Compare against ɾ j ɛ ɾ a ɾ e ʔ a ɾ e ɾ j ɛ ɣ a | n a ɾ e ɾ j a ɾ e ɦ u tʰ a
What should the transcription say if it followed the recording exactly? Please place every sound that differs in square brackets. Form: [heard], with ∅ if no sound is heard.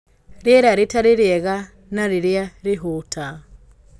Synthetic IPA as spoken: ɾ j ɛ ɾ a ɾ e [t] a ɾ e ɾ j ɛ ɣ a | n a ɾ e ɾ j a ɾ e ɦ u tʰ a